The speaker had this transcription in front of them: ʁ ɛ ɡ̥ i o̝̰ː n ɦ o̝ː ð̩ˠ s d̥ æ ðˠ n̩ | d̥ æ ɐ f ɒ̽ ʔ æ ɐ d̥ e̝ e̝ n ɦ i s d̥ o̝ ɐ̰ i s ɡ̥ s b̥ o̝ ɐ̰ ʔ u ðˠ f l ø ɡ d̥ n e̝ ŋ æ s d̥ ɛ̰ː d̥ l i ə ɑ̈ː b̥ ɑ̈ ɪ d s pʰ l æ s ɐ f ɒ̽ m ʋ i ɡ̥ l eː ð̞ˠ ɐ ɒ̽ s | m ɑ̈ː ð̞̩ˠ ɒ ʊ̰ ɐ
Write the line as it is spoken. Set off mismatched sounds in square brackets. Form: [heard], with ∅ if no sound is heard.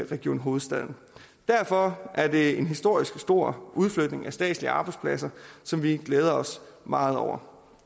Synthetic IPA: ʁ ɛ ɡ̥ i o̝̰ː n ɦ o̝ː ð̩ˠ s d̥ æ ðˠ n̩ | d̥ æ ɐ f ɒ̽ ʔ æ ɐ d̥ e̝ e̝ n ɦ i s d̥ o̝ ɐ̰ i s ɡ̥ s [d̥] o̝ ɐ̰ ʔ u ðˠ f l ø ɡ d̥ n e̝ ŋ æ s d̥ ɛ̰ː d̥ l i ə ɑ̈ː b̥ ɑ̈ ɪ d s pʰ l æ s ɐ [s] ɒ̽ m ʋ i ɡ̥ l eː ð̞ˠ ɐ ɒ̽ s | m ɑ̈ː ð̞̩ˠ ɒ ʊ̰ ɐ